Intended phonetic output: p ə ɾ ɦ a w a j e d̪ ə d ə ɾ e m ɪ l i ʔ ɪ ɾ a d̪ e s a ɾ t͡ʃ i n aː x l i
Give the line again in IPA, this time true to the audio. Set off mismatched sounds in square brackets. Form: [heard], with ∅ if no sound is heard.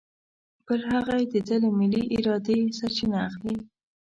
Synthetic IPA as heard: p ə ɾ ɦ a [ɣ] a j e d̪ ə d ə [l] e m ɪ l i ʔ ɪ ɾ [ɑ] d̪ e s a ɾ t͡ʃ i n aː x l i

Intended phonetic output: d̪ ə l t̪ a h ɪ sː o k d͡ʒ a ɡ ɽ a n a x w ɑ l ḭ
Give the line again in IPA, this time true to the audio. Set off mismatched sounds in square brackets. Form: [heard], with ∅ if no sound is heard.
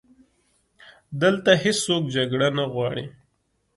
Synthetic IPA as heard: d̪ ə l t̪ a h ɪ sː o k d͡ʒ a ɡ ɽ a n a [ɣ] w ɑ [ɽ] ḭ

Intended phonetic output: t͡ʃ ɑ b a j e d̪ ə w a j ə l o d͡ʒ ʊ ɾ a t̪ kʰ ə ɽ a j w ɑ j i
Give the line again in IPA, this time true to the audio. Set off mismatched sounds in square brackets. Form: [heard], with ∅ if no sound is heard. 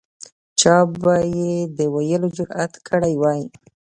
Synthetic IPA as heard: t͡ʃ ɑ b a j e d̪ ə w a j ə l o d͡ʒ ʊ ɾ a t̪ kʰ ə ɽ a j w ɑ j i

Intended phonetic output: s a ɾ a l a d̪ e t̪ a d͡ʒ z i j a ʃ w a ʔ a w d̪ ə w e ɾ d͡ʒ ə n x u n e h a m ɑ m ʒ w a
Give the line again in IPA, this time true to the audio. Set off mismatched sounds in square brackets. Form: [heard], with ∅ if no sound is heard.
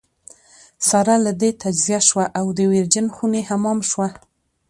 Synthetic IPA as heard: s a ɾ a l a d̪ e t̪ a d͡ʒ z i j a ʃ w a ʔ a w d̪ ə w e ɾ d͡ʒ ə n x u n e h a m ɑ m [ʃ] w a

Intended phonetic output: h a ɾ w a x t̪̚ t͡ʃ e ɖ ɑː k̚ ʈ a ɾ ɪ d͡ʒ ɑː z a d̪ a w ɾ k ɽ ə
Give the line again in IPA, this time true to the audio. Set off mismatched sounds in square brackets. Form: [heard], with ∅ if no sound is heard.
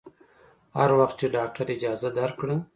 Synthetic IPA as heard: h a ɾ w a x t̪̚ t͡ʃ e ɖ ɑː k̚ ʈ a ɾ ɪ d͡ʒ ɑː z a d̪ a [∅] ɾ k ɽ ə

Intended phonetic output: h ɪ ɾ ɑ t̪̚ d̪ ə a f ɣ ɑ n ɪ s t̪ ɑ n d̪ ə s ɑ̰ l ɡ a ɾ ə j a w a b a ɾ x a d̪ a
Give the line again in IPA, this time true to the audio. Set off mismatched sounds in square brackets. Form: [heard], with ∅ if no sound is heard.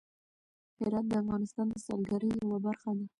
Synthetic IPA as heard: h ɪ ɾ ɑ t̪̚ d̪ ə a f ɣ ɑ n ɪ s t̪ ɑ n d̪ ə s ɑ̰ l ɡ a ɾ ə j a w a b a ɾ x a d̪ a

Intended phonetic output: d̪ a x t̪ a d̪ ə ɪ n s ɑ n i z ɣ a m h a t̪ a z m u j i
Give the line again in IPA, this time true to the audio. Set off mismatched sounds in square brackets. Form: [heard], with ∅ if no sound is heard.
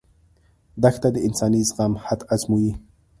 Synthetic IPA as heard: d̪ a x t̪ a d̪ ə ɪ n s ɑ n i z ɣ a m h a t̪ a z m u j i

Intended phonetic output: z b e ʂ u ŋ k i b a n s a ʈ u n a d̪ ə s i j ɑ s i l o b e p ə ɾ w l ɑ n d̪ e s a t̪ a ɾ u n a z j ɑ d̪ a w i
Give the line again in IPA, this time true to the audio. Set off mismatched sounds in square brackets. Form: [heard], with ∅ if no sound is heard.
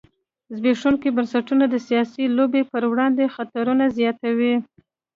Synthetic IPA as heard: z b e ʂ u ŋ k i b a n s a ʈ u n a d̪ ə s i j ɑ s i l o b e p ə ɾ w [ɽ] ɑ n d̪ e [x] a t̪ a ɾ u n a z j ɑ [t̪] a w i

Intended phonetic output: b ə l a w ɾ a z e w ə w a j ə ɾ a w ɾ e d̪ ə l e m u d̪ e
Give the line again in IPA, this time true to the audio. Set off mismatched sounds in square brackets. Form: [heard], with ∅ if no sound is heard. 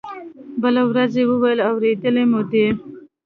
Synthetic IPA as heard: b ə l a w ɾ a z e w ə w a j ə [l] a w ɾ e d̪ ə l e m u d̪ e

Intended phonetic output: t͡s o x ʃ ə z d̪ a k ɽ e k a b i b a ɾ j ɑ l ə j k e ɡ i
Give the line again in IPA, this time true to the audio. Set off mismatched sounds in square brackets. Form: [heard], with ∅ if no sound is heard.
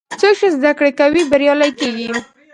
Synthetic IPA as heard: t͡s o [k] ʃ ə z d̪ a k ɽ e k a [w] i b a ɾ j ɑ l [a] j k e ɡ i

